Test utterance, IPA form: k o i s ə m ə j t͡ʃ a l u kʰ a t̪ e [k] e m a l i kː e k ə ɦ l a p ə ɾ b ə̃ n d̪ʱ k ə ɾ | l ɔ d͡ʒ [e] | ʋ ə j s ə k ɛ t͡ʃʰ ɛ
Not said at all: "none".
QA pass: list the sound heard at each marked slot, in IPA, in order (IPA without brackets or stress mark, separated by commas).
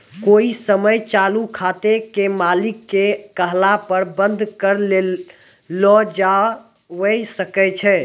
k, a